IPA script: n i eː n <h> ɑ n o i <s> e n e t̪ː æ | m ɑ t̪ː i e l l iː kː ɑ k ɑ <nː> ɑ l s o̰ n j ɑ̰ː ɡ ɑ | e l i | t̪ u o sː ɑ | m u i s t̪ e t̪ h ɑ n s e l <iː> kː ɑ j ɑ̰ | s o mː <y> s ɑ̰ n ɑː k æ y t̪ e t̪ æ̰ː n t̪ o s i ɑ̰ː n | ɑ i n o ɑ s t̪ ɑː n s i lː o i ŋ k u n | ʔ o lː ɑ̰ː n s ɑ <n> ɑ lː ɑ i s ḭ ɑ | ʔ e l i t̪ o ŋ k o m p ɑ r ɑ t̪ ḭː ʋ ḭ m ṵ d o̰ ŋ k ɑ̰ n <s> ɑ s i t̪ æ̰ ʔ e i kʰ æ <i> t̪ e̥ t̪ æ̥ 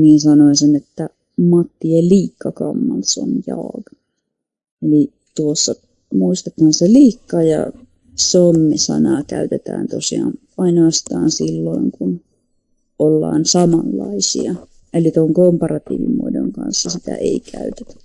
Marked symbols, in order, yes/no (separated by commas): no, yes, no, yes, no, no, no, no